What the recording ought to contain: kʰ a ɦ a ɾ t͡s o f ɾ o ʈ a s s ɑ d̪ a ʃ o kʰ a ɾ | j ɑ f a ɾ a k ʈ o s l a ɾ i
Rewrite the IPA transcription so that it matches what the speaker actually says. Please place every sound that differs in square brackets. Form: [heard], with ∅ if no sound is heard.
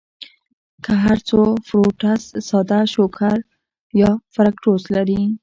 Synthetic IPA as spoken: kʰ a ɦ a ɾ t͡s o f ɾ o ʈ a s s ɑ d̪ a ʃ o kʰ a ɾ | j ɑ f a ɾ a k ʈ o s l a ɾ i